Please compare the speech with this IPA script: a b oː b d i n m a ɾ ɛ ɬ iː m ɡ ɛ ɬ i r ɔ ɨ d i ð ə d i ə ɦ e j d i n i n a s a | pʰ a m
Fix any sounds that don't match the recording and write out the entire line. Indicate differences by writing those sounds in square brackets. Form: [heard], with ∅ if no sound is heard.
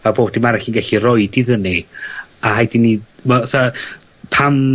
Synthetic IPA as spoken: a b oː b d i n m a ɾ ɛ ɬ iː [n] ɡ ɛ ɬ i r ɔ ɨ d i ð ə [n] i [a] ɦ [a] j d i n i [m] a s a | pʰ a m

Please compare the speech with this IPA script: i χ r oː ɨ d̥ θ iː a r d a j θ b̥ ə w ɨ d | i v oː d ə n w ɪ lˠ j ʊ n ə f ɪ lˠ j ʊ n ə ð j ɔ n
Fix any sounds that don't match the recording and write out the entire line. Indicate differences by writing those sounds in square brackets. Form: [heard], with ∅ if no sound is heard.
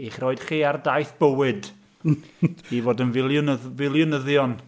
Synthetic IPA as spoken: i χ r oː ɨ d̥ [χ] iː a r d a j θ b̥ ə w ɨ d | i v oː d ə n [v] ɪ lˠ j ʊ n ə [v] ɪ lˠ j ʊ n ə ð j ɔ n

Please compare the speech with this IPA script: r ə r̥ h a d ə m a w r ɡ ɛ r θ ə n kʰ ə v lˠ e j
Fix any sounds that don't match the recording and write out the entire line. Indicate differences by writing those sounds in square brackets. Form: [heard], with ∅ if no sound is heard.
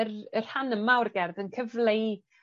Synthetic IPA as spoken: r ə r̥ h a [n] ə m a w r ɡ ɛ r [ð] ə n kʰ ə v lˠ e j

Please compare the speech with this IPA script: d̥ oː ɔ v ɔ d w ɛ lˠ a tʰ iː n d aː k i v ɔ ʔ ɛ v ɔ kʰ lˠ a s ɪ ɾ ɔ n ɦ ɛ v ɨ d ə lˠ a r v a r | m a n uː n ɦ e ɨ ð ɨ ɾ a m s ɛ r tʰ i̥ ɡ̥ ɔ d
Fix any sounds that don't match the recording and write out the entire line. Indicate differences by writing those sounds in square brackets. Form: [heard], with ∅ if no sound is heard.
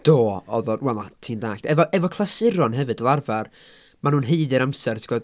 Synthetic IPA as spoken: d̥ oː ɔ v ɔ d w ɛ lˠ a tʰ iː n d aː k [ɛ] v ɔ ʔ ɛ v ɔ kʰ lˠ a s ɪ ɾ ɔ n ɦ ɛ v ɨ d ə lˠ a r v a r | m a n uː n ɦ e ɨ ð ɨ ɾ a m s ɛ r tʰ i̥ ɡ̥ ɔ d

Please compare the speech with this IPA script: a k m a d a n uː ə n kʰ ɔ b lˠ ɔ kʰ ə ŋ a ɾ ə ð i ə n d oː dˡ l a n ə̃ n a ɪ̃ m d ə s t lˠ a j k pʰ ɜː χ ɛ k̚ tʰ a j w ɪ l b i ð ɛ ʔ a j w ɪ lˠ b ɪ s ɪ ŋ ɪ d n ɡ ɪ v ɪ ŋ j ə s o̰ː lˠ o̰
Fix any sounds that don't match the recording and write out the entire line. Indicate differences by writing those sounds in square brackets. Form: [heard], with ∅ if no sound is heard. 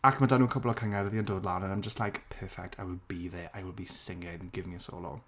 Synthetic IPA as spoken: a k m a d a n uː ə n kʰ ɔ b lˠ ɔ kʰ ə ŋ a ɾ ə ð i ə n d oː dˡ l a n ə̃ n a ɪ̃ m [d͡ʒ] ə s t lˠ a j k pʰ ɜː [f] ɛ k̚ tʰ a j w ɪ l b i ð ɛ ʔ a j w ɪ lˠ b [i] s ɪ ŋ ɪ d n ɡ ɪ v ɪ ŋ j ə s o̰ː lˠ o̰

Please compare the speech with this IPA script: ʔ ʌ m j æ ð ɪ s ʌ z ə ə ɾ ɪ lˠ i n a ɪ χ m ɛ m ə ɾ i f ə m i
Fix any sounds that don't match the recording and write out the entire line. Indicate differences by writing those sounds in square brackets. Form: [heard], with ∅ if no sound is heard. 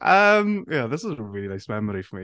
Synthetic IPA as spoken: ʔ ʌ m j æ ð ɪ s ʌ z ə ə [ɹ] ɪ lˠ i n a ɪ [s] m ɛ m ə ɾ i f ə m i

